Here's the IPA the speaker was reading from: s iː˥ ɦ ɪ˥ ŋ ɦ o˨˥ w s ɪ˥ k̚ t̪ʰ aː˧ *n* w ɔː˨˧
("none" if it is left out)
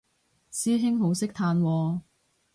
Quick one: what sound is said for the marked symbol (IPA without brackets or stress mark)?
n